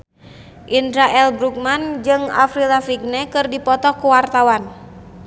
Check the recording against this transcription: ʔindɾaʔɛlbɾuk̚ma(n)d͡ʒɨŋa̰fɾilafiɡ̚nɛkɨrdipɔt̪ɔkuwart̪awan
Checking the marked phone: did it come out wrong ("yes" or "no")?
no